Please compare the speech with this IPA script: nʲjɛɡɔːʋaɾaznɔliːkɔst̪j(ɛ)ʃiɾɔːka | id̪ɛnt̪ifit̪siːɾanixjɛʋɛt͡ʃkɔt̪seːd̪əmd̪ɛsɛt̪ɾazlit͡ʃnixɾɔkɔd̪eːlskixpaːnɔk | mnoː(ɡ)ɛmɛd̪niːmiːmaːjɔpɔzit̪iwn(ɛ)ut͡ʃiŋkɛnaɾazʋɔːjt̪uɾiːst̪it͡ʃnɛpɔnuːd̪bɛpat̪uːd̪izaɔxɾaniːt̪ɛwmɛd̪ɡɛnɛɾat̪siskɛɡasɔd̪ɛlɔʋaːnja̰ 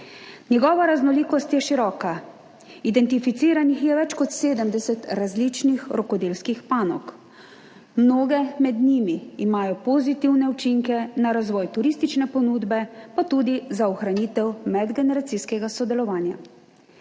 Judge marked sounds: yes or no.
yes, yes, yes

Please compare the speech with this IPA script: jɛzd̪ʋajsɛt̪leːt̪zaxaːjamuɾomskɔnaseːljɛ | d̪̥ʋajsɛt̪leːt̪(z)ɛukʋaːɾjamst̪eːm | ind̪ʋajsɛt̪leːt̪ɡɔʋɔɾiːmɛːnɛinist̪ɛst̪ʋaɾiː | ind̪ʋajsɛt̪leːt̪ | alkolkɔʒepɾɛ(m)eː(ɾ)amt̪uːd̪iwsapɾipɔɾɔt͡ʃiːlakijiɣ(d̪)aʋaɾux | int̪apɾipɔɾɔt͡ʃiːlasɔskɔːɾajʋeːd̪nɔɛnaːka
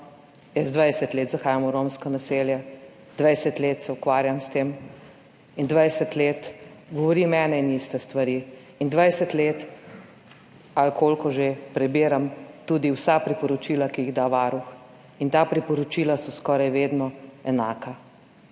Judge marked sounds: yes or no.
no, no, yes, yes

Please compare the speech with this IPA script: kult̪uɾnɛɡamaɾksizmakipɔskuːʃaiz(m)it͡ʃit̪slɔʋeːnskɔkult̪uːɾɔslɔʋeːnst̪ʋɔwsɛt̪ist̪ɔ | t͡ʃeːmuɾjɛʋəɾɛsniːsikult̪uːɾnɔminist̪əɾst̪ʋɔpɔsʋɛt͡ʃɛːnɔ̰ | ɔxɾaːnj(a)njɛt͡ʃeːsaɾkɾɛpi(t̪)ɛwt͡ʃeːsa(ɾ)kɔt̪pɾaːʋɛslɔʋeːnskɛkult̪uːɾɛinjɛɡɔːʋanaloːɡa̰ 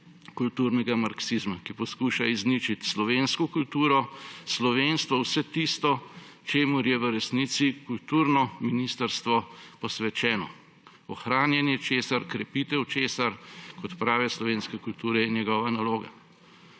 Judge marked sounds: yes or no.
no, no, yes, yes

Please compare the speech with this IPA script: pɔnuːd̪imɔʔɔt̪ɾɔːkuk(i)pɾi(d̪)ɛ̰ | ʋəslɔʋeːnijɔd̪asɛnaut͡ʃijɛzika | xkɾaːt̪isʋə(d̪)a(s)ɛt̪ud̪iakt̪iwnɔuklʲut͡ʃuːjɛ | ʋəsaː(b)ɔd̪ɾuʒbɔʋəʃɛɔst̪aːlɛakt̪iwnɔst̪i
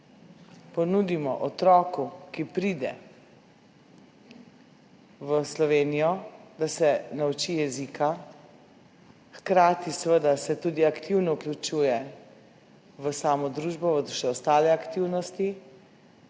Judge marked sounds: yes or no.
yes, yes, yes, yes, no

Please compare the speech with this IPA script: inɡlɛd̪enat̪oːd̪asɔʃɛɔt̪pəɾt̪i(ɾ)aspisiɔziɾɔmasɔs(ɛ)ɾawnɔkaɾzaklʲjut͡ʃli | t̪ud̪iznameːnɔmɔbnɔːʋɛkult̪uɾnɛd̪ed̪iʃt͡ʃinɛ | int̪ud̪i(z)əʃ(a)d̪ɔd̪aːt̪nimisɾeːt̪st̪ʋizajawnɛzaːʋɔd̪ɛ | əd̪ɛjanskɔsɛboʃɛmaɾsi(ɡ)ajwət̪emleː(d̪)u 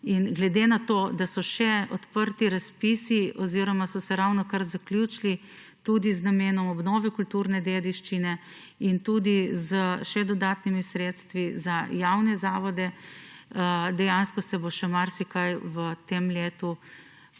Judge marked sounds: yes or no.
yes, yes, yes, no, no, no

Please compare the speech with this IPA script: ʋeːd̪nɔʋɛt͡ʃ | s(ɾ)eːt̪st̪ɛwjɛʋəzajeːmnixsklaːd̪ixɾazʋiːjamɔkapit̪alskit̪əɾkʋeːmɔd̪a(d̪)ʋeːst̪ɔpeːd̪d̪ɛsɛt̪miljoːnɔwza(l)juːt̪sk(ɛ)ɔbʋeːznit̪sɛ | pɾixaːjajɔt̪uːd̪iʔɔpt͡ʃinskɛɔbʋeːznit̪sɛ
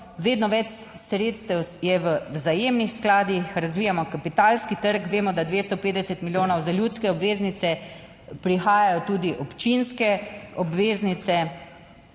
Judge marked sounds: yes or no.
yes, yes, yes, yes

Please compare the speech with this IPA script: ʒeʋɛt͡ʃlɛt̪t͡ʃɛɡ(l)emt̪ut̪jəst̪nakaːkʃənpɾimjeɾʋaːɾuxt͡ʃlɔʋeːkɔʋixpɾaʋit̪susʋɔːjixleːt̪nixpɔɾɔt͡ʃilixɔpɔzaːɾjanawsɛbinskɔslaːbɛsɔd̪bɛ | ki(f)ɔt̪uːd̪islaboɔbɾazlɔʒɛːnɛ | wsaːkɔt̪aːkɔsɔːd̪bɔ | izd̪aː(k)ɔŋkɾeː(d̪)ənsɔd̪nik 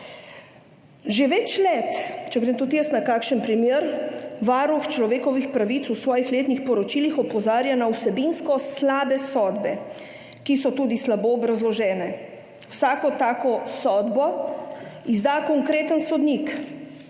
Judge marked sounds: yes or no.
no, no, yes, no

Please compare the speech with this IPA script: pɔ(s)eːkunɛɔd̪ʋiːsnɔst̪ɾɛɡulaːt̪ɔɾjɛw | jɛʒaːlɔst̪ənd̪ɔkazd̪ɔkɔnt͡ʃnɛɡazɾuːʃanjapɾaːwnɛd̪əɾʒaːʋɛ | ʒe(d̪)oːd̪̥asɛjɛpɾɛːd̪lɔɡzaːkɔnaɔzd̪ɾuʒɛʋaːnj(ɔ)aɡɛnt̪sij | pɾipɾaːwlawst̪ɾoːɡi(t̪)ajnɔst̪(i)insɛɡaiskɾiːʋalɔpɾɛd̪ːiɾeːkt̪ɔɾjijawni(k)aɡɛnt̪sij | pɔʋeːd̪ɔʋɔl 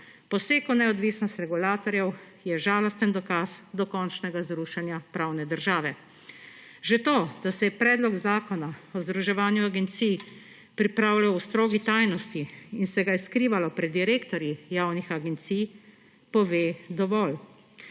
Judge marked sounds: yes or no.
yes, no, no, yes, yes, no

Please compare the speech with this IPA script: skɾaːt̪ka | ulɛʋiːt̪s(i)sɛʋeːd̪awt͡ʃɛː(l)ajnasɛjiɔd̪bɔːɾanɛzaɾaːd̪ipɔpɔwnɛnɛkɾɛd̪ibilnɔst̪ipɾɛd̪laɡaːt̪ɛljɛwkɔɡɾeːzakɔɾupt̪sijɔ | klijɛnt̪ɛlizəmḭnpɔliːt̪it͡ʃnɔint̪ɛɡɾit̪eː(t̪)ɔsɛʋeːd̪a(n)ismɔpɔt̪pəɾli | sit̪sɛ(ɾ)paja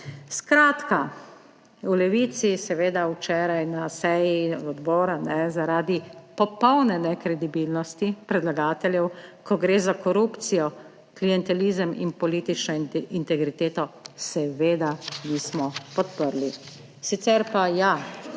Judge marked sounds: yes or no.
yes, no, yes, yes, yes

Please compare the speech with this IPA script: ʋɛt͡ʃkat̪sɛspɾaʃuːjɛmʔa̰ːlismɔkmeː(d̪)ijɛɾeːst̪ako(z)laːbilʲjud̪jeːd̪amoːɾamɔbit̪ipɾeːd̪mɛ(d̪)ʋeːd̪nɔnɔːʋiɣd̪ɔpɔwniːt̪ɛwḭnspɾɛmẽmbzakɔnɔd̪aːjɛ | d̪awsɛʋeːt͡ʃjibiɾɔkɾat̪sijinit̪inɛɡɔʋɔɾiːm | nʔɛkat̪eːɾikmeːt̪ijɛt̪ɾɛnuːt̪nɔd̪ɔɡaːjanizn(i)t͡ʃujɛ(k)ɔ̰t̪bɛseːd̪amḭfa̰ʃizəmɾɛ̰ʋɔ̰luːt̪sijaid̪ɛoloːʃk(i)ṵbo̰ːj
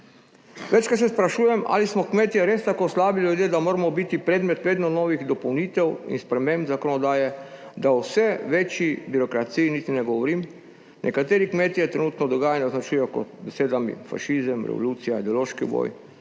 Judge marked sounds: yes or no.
no, no, no, no, yes, yes

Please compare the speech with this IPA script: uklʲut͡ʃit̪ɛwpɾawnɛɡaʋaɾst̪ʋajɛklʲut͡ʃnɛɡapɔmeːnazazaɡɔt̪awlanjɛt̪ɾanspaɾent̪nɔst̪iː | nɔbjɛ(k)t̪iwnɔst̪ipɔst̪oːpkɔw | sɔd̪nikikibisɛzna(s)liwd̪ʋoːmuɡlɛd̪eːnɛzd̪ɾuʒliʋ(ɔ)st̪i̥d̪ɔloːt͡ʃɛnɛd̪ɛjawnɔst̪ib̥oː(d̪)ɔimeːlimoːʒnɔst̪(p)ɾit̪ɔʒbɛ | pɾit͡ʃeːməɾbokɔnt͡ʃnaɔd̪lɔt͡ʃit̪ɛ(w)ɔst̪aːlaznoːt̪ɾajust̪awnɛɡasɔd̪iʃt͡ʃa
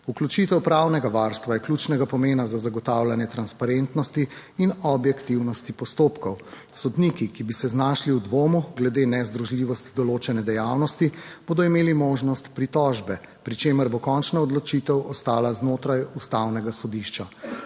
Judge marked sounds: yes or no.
yes, no, yes, yes, yes, yes

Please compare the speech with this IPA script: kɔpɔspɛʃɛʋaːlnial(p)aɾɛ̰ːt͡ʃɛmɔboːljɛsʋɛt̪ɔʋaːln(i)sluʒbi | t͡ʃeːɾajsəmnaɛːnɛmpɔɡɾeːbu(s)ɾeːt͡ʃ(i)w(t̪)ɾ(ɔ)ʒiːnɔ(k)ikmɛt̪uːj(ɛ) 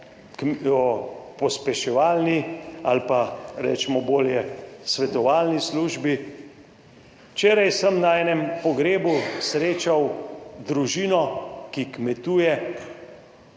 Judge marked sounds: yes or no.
yes, yes, yes, no, no, no, yes, yes

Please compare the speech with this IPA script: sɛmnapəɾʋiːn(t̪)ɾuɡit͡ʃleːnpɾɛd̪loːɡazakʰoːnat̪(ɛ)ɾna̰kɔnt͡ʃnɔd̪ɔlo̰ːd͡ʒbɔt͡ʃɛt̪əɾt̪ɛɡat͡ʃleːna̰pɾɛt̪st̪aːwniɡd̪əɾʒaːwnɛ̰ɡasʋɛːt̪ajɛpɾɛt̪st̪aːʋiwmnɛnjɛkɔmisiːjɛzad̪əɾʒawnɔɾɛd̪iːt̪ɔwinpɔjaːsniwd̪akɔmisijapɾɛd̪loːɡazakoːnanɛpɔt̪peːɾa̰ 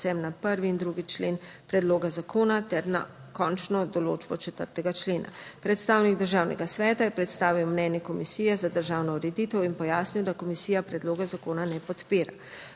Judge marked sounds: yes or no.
no, yes

